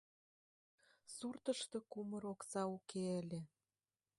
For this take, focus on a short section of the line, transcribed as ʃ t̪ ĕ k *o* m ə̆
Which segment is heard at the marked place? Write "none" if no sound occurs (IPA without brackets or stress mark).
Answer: u